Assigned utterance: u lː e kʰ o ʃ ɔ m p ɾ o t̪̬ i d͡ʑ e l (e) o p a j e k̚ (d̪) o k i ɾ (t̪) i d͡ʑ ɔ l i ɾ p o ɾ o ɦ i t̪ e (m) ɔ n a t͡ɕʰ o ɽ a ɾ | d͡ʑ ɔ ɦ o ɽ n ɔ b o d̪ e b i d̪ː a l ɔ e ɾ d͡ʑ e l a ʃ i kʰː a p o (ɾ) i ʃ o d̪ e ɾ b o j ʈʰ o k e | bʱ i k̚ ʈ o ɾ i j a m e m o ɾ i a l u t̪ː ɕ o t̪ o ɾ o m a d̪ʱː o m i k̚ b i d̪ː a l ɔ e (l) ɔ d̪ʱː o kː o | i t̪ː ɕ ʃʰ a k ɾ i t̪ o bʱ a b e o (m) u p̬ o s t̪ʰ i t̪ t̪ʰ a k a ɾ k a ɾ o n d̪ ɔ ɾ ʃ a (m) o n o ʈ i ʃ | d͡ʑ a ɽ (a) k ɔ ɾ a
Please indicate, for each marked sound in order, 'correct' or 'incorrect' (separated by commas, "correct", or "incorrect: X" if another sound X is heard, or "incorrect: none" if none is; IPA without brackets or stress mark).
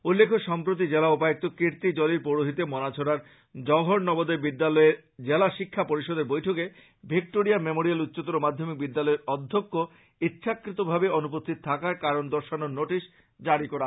incorrect: a, incorrect: t̪, correct, correct, correct, incorrect: ɾ, incorrect: n, incorrect: n, incorrect: i